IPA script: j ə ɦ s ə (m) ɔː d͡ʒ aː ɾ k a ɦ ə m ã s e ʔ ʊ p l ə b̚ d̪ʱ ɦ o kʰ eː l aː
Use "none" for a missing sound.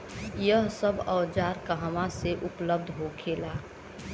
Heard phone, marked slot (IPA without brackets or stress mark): b